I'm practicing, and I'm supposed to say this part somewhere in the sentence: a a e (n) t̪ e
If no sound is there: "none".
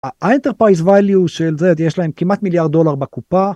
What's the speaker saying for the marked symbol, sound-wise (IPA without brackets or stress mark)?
n